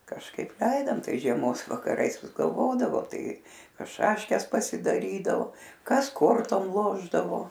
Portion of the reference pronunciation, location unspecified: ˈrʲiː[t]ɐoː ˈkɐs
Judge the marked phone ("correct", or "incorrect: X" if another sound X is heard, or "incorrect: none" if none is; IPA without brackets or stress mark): incorrect: d